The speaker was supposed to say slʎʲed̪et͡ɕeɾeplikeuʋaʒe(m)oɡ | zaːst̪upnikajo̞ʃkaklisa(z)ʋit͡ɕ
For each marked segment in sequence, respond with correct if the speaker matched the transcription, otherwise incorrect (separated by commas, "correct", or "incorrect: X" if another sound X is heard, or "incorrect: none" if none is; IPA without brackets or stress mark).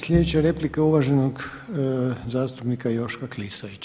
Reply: incorrect: n, incorrect: none